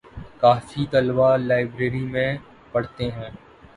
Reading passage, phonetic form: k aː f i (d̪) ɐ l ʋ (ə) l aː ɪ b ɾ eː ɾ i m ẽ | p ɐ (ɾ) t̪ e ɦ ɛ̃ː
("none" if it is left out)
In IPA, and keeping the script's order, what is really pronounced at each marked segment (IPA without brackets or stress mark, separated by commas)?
t̪, a, ɽ